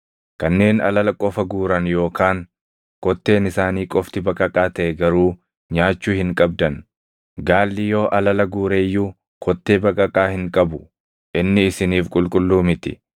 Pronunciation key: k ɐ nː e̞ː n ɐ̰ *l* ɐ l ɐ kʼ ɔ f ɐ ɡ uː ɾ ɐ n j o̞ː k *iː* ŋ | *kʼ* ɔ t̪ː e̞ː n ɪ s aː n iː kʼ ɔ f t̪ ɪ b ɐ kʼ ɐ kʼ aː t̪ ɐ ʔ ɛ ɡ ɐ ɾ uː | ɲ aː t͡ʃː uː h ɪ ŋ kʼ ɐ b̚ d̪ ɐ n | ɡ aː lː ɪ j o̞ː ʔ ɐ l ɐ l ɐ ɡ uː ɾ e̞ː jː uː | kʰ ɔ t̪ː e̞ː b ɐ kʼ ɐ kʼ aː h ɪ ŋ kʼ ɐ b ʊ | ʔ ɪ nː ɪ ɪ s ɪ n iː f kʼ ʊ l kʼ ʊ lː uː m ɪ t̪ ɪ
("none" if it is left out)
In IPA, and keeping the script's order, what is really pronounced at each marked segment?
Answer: l, aː, k

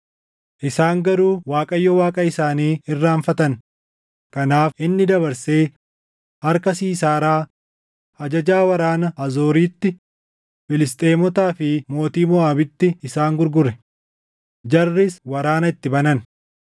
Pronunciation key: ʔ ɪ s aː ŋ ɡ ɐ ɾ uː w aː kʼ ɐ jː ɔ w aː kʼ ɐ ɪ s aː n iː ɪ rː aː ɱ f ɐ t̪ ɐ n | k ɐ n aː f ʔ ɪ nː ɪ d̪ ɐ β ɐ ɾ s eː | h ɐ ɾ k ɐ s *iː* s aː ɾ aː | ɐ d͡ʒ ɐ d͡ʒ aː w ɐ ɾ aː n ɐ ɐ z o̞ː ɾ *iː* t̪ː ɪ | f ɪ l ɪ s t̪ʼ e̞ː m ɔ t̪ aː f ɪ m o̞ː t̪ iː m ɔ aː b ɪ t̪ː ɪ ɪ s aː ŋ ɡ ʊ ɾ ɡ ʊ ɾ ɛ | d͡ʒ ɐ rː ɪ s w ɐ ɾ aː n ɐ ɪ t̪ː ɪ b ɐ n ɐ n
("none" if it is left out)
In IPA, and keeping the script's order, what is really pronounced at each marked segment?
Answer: iː, iː

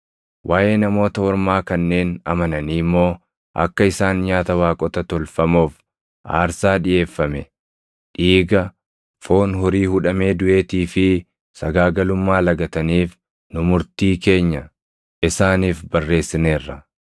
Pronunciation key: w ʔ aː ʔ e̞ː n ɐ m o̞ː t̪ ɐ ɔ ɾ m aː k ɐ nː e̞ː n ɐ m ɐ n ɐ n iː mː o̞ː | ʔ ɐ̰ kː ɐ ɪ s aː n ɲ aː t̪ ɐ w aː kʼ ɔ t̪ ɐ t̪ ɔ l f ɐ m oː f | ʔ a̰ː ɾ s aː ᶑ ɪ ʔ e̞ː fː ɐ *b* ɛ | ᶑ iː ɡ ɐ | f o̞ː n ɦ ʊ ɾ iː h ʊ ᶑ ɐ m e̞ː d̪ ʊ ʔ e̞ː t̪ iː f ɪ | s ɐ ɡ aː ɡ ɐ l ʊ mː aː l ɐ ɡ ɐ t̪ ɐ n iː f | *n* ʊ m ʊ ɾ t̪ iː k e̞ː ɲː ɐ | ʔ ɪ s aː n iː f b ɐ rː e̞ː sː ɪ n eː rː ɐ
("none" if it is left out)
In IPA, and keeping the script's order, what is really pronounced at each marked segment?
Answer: m, n

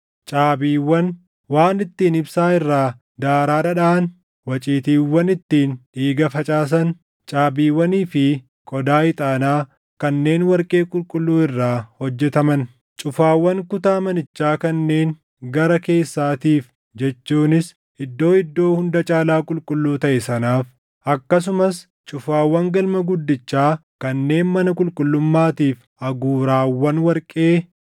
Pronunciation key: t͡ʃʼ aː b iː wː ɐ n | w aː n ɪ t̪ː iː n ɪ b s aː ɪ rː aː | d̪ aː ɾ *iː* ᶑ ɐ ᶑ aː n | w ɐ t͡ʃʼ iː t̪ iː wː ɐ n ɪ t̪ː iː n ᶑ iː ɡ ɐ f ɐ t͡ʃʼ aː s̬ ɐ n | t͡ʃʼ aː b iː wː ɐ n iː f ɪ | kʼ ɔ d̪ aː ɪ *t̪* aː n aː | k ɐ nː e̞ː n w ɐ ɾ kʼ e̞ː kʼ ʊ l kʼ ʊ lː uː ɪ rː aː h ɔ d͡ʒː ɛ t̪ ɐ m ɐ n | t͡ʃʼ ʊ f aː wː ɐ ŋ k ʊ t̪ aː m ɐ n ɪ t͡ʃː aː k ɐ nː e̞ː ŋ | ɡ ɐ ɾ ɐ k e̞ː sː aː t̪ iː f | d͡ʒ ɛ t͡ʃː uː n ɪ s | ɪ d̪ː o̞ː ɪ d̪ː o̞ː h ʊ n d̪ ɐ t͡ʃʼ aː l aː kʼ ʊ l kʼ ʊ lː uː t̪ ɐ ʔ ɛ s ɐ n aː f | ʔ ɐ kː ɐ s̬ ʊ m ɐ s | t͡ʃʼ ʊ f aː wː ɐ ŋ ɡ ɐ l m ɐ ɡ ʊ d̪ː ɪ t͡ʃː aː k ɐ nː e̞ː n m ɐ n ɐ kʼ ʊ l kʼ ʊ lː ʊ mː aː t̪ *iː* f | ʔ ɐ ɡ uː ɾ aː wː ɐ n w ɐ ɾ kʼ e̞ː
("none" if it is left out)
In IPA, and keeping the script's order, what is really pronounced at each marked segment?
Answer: aː, t̪ʼ, iː

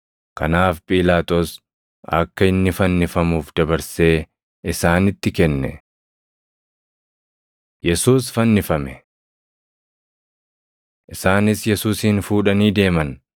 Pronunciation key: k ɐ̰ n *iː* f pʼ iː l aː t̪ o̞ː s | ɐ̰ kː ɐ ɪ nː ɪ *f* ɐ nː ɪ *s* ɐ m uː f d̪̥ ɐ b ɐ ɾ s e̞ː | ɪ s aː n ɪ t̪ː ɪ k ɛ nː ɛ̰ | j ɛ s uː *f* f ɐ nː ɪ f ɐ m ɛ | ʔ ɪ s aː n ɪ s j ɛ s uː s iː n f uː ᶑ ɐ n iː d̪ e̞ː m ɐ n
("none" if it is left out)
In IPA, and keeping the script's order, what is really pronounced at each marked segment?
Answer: aː, f, f, s

